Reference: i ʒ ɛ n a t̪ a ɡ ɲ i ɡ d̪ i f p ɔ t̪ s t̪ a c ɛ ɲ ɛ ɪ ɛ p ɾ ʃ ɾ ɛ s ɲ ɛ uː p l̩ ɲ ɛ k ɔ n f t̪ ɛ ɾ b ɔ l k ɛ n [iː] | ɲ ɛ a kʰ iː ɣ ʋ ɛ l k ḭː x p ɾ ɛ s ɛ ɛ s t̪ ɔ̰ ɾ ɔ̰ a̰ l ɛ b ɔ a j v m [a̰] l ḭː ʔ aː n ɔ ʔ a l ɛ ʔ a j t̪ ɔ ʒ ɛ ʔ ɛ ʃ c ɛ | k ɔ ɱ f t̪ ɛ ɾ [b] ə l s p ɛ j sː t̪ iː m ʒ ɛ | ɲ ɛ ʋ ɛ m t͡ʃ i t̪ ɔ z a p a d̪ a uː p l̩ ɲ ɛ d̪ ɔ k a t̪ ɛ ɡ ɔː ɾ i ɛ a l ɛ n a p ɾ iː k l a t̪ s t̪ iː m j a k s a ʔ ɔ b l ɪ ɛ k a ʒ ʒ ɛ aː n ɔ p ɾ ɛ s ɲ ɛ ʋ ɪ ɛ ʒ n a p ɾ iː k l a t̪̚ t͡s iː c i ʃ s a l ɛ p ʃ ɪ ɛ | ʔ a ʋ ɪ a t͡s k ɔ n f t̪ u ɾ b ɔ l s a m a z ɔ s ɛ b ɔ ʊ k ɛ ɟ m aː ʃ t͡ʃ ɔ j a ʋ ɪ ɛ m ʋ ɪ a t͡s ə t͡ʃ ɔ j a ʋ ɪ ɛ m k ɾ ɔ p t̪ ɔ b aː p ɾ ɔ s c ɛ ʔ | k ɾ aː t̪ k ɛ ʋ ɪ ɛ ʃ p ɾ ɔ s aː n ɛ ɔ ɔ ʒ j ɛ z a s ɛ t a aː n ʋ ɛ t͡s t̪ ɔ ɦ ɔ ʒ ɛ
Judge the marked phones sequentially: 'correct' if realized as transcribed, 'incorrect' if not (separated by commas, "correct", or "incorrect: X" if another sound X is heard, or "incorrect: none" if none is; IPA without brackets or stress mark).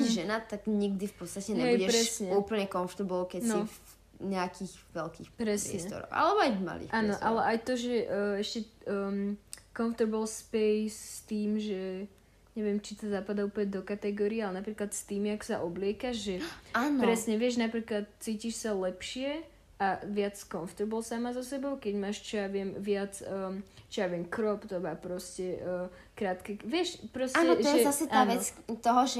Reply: incorrect: i, correct, correct